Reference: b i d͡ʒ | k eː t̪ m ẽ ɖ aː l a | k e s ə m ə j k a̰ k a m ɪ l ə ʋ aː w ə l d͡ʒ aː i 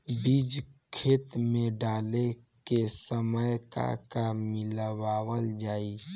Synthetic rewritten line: b i d͡ʒ | kʰ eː t̪ m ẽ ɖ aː l e | k e s ə m ə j k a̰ k a m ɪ l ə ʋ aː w ə l d͡ʒ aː i